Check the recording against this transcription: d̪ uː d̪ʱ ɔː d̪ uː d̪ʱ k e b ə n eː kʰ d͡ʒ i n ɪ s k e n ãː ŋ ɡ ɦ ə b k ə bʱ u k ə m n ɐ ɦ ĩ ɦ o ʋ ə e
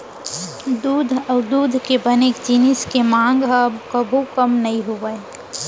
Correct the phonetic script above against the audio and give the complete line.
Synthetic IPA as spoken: d̪ uː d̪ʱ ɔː d̪ uː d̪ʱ k e b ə n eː k d͡ʒ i n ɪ s k e m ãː ŋ ɡ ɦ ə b k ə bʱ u k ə m n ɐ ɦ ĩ ɦ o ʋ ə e